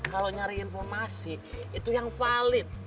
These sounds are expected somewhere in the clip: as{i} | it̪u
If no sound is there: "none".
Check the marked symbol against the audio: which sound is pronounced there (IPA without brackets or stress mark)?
i